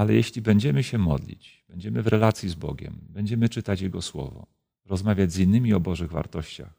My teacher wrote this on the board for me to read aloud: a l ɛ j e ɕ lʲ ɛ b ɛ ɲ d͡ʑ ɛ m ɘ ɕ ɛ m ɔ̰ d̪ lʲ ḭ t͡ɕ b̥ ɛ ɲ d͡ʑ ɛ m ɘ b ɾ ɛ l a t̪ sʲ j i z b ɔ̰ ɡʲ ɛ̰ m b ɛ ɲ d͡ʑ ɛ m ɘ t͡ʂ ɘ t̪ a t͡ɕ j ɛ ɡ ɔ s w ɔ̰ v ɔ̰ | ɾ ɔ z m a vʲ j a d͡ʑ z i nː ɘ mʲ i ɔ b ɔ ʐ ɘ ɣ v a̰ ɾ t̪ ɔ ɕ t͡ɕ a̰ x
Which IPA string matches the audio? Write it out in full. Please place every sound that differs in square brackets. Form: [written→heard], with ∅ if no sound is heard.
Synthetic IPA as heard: a l ɛ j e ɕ lʲ [ɛ→i] b ɛ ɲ d͡ʑ ɛ m ɘ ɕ ɛ m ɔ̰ d̪ lʲ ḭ t͡ɕ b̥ ɛ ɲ d͡ʑ ɛ m ɘ [b→v] ɾ ɛ l a t̪ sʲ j i z b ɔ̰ ɡʲ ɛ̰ m b ɛ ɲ d͡ʑ ɛ m ɘ t͡ʂ ɘ t̪ a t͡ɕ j ɛ ɡ ɔ s w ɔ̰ v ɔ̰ | ɾ ɔ z m a vʲ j a d͡ʑ z i nː ɘ mʲ i ɔ b ɔ ʐ ɘ ɣ v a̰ ɾ t̪ ɔ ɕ t͡ɕ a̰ x